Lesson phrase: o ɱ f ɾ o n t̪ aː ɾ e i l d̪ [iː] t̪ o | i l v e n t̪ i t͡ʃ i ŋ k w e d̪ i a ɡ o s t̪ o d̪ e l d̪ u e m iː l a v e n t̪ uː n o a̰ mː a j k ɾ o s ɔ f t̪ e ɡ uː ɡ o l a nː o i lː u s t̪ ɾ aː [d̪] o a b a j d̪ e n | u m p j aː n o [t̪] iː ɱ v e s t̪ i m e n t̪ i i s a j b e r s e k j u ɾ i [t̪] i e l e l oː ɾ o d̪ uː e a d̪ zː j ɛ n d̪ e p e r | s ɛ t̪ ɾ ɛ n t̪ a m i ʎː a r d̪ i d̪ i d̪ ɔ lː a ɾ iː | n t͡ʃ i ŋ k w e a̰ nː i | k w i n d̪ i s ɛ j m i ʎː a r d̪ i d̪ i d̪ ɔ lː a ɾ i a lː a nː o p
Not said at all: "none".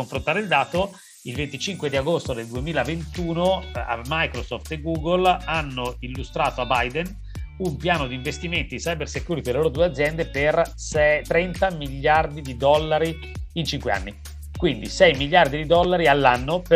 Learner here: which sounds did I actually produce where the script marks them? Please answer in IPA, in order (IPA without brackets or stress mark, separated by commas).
aː, t̪, d̪, t̪